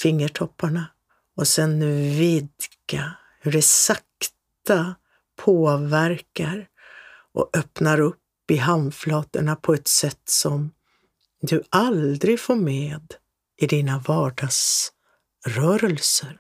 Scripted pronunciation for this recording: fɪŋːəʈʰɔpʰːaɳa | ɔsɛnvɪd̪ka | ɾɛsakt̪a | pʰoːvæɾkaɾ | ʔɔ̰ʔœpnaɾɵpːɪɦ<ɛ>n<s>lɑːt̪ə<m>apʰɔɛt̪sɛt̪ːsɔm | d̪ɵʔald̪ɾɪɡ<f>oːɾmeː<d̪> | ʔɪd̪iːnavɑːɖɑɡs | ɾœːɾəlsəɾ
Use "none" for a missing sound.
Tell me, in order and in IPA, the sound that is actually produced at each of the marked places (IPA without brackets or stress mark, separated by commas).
a, f, ɳ, f, d̪